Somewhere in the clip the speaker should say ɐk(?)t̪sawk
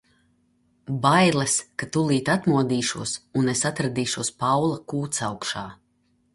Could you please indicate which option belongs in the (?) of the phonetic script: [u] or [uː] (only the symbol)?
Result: uː